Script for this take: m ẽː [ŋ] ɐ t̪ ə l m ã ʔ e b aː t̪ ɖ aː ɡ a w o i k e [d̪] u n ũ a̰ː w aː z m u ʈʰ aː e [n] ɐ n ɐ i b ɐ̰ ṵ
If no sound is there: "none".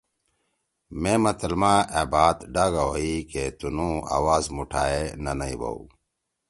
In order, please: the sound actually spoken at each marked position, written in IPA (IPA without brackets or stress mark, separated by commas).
m, t̪, n